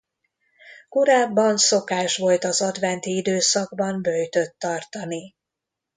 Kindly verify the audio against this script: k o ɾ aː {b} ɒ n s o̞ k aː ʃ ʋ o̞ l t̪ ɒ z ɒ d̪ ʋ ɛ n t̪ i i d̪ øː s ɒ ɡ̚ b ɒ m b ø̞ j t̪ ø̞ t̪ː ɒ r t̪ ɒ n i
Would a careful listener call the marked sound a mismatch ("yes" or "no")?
yes